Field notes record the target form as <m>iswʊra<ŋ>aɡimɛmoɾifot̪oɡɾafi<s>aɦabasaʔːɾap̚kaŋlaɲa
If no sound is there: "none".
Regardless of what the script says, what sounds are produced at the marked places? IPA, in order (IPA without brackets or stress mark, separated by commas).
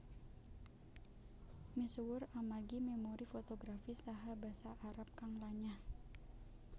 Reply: m, m, s